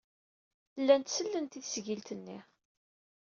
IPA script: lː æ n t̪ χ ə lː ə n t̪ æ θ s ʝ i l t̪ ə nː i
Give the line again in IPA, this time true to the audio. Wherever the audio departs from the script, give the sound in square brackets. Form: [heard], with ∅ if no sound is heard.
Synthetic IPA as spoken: lː æ n t̪ [s] ə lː ə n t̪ [i] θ s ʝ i l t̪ ə nː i